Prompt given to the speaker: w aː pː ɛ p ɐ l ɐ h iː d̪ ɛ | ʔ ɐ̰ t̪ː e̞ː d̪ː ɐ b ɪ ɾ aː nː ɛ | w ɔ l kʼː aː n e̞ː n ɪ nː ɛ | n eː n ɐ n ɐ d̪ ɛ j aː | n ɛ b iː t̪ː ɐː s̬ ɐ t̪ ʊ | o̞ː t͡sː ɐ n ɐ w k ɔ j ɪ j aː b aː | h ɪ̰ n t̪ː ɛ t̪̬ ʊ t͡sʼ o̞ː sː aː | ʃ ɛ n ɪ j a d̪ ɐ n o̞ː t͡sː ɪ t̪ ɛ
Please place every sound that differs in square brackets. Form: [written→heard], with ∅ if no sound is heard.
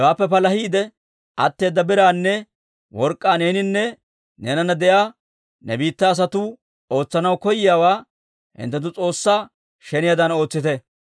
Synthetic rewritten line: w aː pː ɛ p ɐ l ɐ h iː d̪ ɛ | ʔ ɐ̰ t̪ː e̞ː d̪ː ɐ b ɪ ɾ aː nː ɛ | w ɔ [l→ɾ] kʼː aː n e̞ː n ɪ nː ɛ | n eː n ɐ n ɐ d̪ ɛ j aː | n ɛ b iː t̪ː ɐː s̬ ɐ t̪ ʊ | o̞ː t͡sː ɐ n ɐ w k ɔ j ɪ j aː [b→w] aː | h ɪ̰ n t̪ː ɛ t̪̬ ʊ t͡sʼ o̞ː sː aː | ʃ ɛ n ɪ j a d̪ ɐ n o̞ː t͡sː ɪ t̪ ɛ